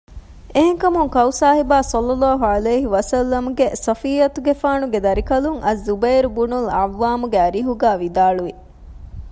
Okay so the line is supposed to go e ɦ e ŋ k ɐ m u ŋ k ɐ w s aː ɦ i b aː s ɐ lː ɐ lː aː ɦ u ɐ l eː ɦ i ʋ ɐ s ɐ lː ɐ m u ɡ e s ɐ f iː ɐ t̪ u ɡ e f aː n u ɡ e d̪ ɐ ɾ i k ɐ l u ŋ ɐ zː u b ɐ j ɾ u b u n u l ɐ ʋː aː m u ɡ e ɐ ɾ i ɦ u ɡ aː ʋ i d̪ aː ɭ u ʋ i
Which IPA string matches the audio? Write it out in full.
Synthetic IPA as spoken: e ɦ e ŋ k ɐ m u ŋ k ɐ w s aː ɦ i b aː s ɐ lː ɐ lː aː ɦ u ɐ l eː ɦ i ʋ ɐ s ɐ lː ɐ m u ɡ e s ɐ f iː ɐ t̪ u ɡ e f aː n u ɡ e d̪ ɐ ɾ i k ɐ l u ŋ ɐ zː u b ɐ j ɾ u b u n u l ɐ ʋː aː m u ɡ e ɐ ɾ i ɦ u ɡ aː ʋ i d̪ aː ɭ u ʋ i